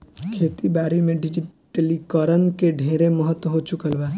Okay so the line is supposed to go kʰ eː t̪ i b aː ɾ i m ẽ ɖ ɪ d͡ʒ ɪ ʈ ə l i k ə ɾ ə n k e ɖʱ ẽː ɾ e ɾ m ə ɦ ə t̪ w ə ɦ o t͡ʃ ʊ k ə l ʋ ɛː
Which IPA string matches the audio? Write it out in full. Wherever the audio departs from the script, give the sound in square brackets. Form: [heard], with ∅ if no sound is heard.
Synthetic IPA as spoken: kʰ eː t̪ i b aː ɾ i m ẽ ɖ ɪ d͡ʒ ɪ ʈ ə l i k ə ɾ ə n k e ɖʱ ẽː ɾ e [∅] m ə ɦ ə t̪ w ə ɦ o t͡ʃ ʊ k ə l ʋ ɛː